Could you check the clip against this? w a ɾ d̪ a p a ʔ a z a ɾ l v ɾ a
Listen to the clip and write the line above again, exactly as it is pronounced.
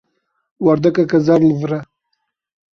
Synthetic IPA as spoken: w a ɾ d̪ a k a k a z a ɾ l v ɾ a